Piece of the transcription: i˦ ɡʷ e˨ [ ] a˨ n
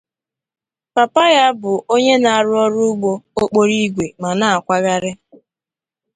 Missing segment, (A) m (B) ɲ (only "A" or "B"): A